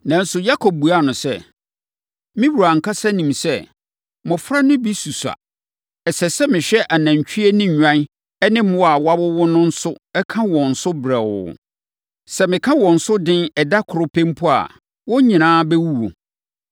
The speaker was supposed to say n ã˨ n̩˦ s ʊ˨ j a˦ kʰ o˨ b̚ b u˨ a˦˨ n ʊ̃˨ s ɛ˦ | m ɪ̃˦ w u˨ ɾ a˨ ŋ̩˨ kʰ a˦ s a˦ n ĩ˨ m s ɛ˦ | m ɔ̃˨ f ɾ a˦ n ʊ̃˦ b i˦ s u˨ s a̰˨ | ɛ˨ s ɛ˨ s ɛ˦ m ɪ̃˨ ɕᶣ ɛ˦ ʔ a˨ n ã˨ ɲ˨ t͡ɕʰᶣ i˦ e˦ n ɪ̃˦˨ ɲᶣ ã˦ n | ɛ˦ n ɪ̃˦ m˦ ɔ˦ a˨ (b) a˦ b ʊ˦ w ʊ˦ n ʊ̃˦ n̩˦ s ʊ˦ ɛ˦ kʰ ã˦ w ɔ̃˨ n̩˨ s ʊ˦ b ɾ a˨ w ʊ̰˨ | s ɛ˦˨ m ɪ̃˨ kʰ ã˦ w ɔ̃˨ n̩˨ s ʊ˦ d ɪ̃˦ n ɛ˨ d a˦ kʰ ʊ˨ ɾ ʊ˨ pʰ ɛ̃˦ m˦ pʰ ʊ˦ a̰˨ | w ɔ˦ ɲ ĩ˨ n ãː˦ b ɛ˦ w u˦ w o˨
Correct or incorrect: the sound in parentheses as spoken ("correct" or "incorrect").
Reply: incorrect